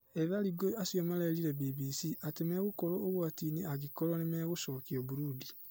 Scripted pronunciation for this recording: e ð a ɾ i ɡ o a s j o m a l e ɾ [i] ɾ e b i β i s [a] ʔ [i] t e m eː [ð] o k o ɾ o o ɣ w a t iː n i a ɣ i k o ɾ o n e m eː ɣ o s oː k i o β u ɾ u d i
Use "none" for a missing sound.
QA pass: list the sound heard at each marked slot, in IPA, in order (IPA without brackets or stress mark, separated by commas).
i, i, a, ɣ